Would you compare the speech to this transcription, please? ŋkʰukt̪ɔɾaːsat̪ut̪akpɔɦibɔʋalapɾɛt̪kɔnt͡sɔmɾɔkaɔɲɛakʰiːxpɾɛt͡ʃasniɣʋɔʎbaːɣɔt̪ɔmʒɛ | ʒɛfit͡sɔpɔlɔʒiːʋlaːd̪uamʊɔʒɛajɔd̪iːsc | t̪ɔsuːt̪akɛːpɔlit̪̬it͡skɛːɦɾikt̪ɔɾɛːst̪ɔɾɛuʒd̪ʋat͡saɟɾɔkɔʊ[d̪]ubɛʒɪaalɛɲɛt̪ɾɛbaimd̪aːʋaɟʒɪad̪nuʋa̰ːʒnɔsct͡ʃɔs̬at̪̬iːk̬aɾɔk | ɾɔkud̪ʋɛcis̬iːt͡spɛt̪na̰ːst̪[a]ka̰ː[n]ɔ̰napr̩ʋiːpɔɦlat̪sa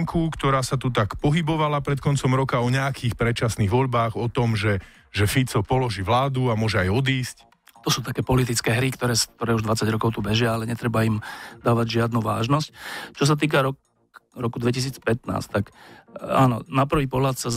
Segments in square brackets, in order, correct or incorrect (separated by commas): incorrect, correct, correct